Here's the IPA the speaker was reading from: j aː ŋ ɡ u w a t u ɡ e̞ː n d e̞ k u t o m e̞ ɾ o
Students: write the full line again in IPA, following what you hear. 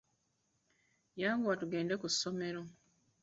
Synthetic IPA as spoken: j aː ŋ ɡ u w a t u ɡ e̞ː n d e̞ k u s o m e̞ ɾ o